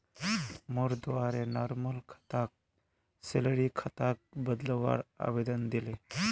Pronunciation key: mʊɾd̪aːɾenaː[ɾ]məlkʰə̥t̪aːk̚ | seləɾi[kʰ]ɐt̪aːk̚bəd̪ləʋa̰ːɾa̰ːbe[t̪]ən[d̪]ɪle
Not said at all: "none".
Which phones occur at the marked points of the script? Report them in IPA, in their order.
ɾ, kʰ, d̪, d̪

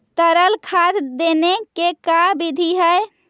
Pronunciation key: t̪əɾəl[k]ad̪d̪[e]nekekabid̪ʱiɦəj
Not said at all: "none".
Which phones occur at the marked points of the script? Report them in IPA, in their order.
kʰ, e

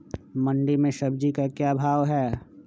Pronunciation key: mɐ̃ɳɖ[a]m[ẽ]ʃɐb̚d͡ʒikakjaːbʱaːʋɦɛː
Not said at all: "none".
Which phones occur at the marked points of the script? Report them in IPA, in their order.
i, ẽ

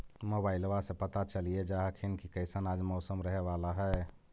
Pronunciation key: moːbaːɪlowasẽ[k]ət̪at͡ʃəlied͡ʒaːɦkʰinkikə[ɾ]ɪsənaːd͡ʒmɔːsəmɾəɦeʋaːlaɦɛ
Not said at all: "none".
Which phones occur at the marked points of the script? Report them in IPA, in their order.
p, none

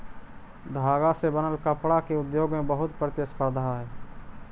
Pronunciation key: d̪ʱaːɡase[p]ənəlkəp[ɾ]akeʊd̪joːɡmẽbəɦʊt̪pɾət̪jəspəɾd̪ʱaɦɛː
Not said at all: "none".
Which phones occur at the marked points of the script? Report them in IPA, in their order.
b, ɽ

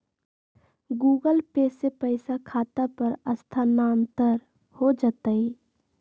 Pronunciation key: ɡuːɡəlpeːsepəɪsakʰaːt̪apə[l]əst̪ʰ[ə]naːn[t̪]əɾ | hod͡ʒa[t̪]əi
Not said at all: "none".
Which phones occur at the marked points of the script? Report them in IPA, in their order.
ɾ, a, t̪, t̪

